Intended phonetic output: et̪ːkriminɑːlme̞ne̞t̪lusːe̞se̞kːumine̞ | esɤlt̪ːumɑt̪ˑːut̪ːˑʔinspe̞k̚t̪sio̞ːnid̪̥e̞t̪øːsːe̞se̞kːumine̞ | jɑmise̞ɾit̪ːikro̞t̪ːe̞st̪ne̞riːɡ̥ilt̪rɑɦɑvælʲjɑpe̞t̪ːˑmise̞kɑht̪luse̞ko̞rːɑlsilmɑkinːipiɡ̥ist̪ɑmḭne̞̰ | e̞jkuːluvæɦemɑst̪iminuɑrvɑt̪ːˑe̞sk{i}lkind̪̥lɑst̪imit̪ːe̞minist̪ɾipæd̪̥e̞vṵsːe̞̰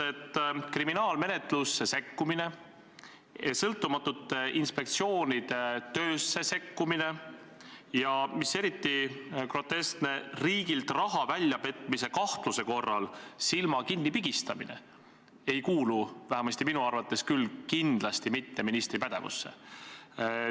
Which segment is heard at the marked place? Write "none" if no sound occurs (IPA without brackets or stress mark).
y